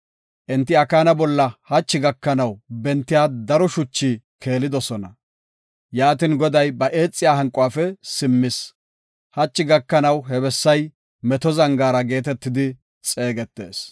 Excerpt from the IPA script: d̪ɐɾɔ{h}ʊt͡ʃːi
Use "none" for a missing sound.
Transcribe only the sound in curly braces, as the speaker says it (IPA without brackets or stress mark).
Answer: ʃ